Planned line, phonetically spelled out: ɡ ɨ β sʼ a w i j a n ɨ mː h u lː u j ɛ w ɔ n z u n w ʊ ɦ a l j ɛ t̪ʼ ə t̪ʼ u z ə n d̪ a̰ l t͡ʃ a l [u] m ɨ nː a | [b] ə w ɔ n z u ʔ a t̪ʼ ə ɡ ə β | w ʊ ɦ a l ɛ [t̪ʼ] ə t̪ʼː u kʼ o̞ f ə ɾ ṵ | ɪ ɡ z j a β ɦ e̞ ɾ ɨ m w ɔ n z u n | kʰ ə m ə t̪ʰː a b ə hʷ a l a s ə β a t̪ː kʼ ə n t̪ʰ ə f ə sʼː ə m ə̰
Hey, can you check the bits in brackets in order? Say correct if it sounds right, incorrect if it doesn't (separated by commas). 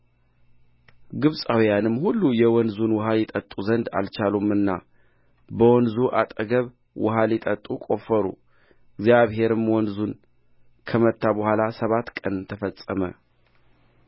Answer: correct, correct, correct